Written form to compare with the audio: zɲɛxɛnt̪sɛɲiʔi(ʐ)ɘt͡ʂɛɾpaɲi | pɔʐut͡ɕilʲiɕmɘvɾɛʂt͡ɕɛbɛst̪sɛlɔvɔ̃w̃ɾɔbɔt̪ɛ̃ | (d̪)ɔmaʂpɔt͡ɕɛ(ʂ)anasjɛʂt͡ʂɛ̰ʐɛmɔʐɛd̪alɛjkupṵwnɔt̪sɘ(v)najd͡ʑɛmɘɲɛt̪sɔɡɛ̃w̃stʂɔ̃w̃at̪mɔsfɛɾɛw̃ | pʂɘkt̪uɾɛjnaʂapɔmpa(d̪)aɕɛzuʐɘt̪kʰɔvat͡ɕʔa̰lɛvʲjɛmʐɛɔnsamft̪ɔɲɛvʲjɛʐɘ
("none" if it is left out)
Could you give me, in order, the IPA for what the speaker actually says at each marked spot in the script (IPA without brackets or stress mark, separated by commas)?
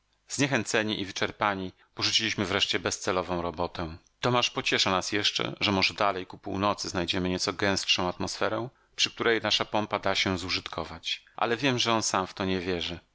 v, t̪, ʂ, z, d̪